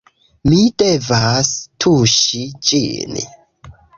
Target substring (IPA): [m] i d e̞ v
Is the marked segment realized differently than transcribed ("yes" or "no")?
no